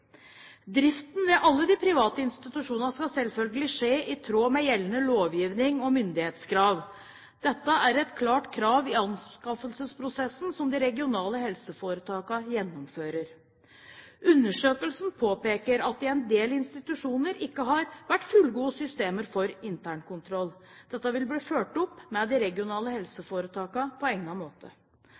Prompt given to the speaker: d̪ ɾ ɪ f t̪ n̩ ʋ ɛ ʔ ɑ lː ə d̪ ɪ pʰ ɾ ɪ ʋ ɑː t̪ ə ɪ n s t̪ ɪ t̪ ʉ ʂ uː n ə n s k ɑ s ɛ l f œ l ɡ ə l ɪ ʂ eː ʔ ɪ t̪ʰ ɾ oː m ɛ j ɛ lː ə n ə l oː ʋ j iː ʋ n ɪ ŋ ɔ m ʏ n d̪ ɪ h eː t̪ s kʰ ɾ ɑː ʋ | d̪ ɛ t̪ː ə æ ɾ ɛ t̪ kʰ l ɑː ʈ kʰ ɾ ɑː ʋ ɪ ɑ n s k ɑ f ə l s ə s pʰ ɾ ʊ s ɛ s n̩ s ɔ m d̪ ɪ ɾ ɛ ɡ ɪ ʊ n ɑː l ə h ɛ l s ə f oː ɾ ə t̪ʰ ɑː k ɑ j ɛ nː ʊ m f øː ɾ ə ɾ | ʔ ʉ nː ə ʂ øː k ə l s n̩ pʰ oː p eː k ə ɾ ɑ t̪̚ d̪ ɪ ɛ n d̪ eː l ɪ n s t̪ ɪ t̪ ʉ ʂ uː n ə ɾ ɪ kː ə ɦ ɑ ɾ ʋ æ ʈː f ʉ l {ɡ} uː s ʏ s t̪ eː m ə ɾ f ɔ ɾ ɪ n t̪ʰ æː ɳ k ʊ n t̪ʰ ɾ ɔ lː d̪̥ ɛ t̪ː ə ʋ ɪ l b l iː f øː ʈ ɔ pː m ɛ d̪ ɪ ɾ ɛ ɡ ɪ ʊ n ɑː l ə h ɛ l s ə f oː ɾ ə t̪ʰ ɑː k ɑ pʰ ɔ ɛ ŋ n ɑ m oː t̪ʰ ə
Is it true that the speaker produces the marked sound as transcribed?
yes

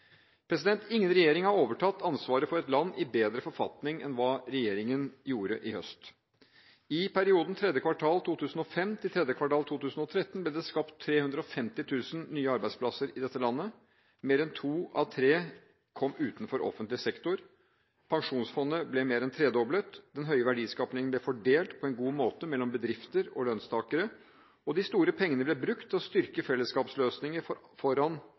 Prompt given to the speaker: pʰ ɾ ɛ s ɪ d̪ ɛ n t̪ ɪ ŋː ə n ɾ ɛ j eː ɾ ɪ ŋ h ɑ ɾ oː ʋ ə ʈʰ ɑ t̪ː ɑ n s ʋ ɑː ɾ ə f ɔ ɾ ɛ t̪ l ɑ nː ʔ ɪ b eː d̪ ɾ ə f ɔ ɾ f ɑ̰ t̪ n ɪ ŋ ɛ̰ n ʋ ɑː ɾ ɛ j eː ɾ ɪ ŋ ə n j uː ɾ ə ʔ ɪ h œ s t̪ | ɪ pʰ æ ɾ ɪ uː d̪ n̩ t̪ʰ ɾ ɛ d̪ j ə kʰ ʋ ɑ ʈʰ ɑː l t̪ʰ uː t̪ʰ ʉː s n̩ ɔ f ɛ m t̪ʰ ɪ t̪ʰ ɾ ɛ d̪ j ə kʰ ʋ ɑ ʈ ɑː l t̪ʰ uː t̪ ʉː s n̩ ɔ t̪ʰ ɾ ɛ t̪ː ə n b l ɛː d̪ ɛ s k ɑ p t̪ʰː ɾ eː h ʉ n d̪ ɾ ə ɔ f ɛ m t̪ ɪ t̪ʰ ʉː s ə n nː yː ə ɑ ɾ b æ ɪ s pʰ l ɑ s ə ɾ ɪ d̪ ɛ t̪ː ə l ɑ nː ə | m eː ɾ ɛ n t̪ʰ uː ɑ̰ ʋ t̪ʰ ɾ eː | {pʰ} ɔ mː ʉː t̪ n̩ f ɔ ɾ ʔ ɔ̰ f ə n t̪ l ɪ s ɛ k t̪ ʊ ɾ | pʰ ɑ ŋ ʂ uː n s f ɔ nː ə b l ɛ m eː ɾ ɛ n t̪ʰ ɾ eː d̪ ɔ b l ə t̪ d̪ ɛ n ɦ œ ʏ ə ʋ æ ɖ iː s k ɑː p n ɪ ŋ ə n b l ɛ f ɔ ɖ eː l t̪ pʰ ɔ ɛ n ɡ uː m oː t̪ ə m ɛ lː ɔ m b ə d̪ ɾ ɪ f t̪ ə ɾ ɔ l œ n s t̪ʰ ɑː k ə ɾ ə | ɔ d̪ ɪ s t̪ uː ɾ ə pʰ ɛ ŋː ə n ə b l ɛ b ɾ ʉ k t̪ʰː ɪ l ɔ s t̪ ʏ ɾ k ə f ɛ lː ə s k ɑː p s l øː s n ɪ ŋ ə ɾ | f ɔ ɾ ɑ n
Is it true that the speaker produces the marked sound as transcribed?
no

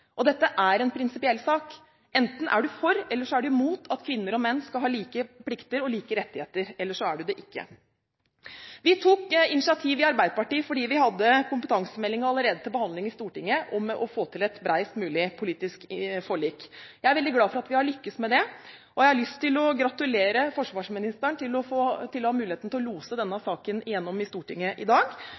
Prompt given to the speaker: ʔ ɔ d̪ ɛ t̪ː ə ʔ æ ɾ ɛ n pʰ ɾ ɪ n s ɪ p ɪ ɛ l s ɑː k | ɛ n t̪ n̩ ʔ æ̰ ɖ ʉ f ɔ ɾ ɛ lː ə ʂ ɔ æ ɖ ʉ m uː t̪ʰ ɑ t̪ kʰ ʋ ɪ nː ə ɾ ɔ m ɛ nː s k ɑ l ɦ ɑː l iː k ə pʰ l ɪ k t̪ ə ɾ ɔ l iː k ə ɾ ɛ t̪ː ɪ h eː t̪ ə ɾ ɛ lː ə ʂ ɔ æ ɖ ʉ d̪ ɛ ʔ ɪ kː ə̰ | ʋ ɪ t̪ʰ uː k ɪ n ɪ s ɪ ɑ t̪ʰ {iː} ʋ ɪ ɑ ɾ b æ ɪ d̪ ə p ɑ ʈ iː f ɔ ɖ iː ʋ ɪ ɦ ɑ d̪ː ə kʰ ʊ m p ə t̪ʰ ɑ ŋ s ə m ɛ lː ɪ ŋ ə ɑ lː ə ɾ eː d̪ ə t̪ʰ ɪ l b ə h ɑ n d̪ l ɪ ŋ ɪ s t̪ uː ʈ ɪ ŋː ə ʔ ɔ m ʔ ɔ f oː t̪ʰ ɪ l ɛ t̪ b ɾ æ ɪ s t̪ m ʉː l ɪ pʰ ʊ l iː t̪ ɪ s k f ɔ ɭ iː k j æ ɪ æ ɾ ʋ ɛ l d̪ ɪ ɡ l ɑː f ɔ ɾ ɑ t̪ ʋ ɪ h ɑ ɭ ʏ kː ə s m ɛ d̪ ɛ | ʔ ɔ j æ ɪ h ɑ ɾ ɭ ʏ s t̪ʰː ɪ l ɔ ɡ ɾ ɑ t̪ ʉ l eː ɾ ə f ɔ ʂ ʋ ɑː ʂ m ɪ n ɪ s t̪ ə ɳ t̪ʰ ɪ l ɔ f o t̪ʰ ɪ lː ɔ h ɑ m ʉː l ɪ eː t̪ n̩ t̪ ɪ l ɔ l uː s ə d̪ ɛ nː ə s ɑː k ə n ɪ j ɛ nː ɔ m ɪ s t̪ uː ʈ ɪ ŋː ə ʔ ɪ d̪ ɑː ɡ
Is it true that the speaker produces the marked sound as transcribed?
yes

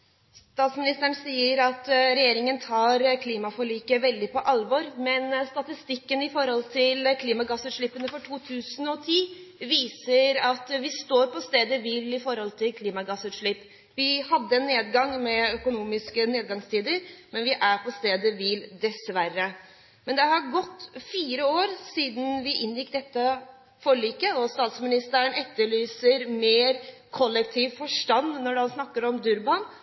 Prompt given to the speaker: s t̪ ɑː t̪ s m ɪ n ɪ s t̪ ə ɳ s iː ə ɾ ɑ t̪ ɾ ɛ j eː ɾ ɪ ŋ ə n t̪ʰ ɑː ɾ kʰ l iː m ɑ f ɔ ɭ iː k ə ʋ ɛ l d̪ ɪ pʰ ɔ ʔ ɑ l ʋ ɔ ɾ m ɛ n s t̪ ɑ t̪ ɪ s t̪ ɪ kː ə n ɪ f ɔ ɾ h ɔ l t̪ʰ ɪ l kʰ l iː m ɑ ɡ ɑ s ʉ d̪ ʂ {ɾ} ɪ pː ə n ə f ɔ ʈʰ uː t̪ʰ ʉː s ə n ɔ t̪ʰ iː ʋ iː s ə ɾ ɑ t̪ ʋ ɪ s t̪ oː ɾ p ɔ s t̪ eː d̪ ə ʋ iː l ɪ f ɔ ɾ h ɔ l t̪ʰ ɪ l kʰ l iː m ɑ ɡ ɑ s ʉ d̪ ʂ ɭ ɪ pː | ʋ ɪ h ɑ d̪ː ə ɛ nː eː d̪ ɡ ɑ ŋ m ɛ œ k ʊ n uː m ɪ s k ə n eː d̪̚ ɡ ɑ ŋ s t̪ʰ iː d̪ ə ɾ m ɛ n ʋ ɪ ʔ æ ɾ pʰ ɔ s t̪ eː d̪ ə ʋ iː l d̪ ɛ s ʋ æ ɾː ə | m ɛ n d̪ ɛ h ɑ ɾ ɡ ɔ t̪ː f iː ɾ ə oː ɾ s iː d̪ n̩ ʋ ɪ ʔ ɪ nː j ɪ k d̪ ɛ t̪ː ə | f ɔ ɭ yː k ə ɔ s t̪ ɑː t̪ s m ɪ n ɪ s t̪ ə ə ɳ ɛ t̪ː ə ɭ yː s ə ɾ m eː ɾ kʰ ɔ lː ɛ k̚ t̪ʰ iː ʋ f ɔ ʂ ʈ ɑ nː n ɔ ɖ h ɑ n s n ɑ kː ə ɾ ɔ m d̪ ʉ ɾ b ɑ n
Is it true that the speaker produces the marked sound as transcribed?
no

